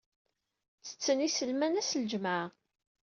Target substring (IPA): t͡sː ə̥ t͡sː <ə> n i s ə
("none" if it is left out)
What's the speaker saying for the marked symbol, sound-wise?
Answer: ə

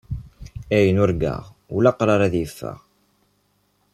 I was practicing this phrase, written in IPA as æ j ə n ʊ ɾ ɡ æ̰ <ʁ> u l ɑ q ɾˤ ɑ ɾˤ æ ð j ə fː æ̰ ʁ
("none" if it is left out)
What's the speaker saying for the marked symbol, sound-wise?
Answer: ʁ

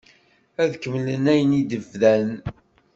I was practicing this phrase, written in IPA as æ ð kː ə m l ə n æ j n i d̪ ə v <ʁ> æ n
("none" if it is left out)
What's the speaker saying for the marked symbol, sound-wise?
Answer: ð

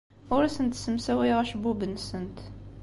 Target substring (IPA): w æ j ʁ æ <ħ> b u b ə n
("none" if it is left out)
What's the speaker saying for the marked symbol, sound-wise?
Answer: ʃ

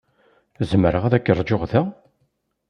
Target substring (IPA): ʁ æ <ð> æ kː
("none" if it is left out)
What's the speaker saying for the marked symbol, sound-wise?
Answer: ð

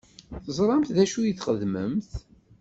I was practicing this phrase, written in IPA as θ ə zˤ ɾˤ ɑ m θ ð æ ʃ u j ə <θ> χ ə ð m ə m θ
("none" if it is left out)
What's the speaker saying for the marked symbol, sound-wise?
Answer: θ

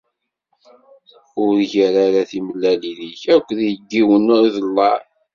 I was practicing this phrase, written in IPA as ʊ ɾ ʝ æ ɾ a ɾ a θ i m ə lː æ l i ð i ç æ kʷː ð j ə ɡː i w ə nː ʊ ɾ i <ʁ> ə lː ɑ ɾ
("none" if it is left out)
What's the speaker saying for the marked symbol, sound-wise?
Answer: ð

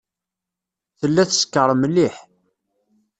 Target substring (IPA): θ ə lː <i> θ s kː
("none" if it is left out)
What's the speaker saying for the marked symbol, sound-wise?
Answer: æ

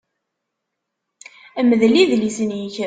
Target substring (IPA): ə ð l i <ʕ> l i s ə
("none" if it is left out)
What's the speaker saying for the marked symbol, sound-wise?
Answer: ð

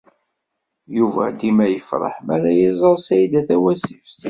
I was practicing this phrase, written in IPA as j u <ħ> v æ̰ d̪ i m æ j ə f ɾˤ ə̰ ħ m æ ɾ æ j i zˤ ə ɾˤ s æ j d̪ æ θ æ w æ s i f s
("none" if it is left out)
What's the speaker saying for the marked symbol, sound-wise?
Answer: none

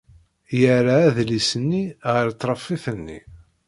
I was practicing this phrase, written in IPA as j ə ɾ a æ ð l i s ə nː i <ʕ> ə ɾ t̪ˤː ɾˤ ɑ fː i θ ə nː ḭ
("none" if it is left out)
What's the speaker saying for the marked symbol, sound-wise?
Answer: ʁ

